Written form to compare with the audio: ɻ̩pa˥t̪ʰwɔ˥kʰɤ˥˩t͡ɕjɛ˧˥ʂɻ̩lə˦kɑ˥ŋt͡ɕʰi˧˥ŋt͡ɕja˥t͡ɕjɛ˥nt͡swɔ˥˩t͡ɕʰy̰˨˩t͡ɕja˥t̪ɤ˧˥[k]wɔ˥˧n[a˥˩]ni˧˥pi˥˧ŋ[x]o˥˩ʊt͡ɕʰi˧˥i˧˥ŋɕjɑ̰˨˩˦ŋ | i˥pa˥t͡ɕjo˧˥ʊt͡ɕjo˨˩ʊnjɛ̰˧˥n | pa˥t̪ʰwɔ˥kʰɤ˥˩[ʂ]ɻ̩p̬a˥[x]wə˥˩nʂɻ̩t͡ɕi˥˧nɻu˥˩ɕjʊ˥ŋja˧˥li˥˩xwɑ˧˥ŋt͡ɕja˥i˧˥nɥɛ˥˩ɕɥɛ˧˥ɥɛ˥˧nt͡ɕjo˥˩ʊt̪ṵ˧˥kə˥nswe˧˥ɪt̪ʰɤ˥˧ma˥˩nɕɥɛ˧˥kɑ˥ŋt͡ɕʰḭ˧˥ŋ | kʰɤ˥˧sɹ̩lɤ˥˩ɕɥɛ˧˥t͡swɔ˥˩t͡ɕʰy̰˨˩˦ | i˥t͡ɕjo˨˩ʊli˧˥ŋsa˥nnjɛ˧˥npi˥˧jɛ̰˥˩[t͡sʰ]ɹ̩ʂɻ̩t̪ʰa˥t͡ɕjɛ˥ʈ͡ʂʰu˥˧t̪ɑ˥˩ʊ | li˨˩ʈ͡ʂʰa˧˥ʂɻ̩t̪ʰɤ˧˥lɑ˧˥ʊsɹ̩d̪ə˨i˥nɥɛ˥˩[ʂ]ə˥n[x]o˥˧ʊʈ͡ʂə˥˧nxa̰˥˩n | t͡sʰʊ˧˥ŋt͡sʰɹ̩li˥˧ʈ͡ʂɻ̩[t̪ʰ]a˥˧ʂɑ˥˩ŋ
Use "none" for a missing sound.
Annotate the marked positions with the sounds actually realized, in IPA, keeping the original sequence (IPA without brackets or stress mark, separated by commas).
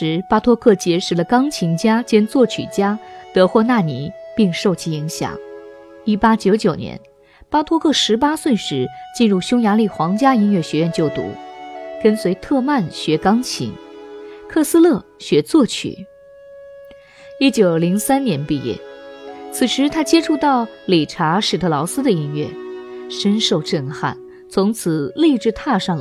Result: x, a˥˩, ʂ, ʂ, s, t͡sʰ, ʂ, ʂ, t̪ʰ